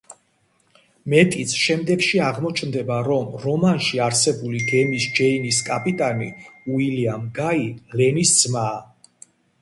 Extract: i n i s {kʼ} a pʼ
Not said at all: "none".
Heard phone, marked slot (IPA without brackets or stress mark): kʼ